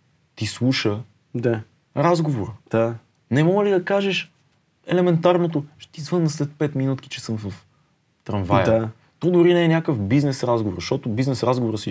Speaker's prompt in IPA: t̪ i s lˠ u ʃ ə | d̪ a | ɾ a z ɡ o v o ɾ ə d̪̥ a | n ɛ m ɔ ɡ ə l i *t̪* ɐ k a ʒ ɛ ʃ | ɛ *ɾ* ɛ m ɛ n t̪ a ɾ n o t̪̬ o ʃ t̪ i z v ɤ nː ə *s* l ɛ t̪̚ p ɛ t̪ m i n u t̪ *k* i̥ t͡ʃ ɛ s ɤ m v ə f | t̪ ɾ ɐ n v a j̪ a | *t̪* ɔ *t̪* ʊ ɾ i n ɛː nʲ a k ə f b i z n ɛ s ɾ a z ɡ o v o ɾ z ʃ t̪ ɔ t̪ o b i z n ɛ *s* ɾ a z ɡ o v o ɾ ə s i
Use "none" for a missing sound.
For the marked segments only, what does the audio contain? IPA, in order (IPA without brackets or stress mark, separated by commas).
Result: d̪, l, s, k, t̪, d̪, s